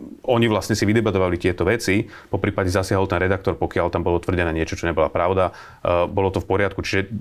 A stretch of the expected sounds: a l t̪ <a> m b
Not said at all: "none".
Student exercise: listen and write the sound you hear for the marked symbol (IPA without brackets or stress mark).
a